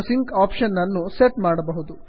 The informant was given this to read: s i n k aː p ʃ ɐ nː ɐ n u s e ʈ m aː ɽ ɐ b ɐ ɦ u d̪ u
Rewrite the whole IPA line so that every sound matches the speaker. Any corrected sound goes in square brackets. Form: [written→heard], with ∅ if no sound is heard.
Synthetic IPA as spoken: s i [n→ŋ] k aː p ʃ ɐ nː ɐ [n→nː] u s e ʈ m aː ɽ ɐ b ɐ ɦ u d̪ u